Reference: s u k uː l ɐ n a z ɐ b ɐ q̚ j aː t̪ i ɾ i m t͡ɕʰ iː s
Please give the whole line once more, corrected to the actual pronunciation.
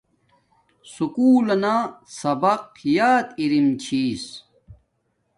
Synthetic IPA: s u k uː l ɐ n a s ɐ b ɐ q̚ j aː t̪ i ɾ i m t͡ɕʰ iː s